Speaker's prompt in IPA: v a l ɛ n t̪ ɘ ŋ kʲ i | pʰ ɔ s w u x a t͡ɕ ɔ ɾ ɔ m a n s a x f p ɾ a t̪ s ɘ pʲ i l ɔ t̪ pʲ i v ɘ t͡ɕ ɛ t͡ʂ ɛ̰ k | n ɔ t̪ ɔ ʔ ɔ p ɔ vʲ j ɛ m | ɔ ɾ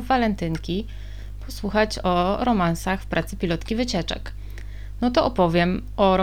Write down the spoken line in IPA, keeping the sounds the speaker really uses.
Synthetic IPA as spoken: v a l ɛ n t̪ ɘ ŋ kʲ i | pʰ ɔ s w u x a t͡ɕ ɔ ɾ ɔ m a n s a x f p ɾ a t̪ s ɘ pʲ i l ɔ t̪ kʲ i v ɘ t͡ɕ ɛ t͡ʂ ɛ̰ k | n ɔ t̪ ɔ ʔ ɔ p ɔ vʲ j ɛ m | ɔ ɾ